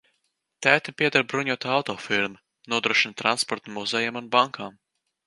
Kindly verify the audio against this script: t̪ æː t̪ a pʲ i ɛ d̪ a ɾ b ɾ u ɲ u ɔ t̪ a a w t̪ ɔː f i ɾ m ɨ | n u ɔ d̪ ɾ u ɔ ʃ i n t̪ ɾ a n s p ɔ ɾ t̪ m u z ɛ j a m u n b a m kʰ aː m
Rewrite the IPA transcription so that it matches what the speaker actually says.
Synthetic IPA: t̪ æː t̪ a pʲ i ɛ d̪ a ɾ b ɾ u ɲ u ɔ t̪ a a w t̪ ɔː f i ɾ m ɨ | n u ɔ d̪ ɾ u ɔ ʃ i n t̪ ɾ a n s p ɔ ɾ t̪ m u z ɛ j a m u n b a ŋ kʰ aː m

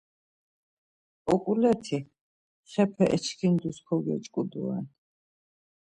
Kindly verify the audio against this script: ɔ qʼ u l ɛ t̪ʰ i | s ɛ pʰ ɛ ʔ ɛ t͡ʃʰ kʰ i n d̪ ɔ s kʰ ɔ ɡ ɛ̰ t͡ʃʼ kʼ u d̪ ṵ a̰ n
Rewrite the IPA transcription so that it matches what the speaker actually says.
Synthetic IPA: ɔ kʼ u l ɛ t̪ʰ i | χ ɛ pʰ ɛ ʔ ɛ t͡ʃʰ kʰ i n d̪ u s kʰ ɔ ɡ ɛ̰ t͡ʃʼ kʼ u d̪ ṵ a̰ n

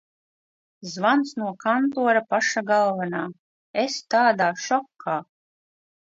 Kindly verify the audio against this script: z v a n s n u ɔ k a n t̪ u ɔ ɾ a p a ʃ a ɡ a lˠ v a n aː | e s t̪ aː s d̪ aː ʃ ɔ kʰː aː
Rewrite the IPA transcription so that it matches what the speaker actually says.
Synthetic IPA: z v a n s n u ɔ k a n t̪ u ɔ ɾ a p a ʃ a ɡ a lˠ v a n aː | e s t̪ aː d̪ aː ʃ ɔ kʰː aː

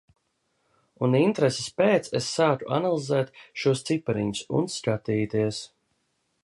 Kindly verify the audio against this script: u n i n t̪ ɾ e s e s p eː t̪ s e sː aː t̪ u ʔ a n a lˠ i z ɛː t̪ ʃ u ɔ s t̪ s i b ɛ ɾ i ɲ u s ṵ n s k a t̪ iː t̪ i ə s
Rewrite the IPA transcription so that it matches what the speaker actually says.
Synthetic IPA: u n i n t̪ ɾ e s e s p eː t̪ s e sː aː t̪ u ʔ a n a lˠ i z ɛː t̪ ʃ u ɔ s t̪ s i p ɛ ɾ i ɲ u s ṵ n s k a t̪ iː t̪ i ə s

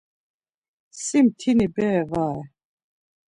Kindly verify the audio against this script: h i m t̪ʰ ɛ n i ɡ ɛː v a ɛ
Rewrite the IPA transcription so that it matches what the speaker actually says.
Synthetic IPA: s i m t̪ʰ i n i b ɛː v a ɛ

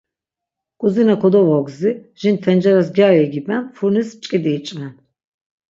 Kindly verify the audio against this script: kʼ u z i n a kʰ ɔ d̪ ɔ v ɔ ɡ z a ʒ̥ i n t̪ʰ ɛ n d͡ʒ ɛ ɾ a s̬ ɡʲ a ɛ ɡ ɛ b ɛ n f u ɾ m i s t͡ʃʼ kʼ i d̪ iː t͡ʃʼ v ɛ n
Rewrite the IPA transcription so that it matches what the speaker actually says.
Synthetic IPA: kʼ u z i n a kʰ ɔ d̪ ɔ v ɔ ɡ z i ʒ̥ i n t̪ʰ ɛ n d͡ʒ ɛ ɾ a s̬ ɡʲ a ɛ ɡ i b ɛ n f u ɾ n i s t͡ʃʼ kʼ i d̪ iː t͡ʃʼ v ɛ n

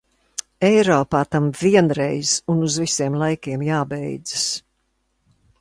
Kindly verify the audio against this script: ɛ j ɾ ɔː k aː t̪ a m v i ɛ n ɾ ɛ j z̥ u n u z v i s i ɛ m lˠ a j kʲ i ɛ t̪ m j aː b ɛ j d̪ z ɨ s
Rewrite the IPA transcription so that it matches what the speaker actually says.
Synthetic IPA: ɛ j ɾ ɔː p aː t̪ a m v i ɛ n ɾ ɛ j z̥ u n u z v i s i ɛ m lˠ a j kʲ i ɛ m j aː b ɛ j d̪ z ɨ s

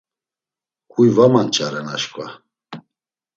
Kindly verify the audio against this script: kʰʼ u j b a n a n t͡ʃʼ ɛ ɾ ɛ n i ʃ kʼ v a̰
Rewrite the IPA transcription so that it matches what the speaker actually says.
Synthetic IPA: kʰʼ u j v a m a n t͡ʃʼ a ɾ ɛ n a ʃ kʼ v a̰

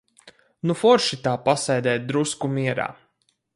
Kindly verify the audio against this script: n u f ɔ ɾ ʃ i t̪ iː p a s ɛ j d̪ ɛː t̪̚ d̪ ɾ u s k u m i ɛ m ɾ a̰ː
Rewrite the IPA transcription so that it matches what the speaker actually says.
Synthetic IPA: n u f ɔ ɾ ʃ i t̪ aː p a s ɛ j d̪ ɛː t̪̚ d̪ ɾ u s k u m i ɛ ɾ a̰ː

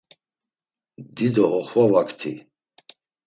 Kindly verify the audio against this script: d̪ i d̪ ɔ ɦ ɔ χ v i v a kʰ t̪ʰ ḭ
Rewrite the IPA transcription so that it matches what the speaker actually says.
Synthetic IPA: d̪ i d̪ ɔ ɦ ɔ χ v a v a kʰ t̪ʰ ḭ

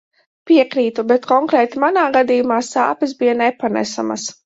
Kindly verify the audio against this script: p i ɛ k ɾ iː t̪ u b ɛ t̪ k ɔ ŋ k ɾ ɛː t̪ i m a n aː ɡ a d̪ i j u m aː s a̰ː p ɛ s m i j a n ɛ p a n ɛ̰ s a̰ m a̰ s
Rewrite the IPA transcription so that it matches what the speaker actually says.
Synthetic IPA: p i ɛ k ɾ iː t̪ u b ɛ t̪ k ɔ ŋ k ɾ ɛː t̪ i m a n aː ɡ a d̪ i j u m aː s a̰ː p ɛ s b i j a n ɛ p a n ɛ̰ s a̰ m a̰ s

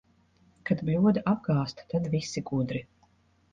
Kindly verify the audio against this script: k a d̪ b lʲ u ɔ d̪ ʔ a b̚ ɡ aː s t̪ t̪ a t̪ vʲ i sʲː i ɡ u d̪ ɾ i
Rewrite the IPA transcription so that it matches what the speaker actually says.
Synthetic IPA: k a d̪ b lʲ u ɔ d̪ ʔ a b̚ ɡ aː s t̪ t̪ a d̪ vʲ i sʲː i ɡ u d̪ ɾ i

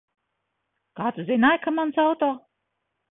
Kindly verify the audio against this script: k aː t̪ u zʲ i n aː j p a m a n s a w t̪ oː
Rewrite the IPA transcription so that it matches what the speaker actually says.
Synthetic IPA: k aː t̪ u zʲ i n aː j k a m a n s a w t̪ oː

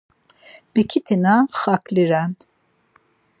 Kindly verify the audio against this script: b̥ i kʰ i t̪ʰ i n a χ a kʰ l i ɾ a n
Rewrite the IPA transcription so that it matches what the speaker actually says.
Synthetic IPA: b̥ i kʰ i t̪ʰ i n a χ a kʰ l i ɾ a n

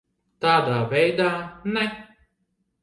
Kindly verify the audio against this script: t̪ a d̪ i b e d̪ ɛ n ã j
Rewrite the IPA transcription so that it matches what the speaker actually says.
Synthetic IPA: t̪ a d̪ a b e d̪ a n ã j

